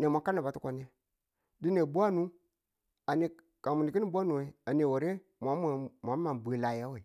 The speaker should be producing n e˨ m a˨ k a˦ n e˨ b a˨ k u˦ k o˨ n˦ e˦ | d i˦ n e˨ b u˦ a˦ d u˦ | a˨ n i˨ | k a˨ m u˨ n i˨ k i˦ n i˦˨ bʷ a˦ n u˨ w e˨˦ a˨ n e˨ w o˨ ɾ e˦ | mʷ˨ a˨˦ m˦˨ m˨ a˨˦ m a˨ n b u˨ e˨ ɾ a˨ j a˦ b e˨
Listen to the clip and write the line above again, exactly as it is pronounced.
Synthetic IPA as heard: n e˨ m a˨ k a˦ n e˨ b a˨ t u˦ k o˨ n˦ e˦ | d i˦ n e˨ b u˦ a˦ n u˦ | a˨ n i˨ | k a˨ m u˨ n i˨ k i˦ n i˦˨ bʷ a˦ n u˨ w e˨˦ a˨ n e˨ w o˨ ɾ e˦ | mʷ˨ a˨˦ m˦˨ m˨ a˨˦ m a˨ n b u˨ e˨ l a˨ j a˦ w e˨